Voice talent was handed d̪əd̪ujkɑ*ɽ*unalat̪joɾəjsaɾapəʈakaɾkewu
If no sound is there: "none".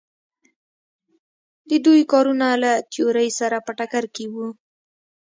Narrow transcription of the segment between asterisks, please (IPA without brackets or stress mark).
ɾ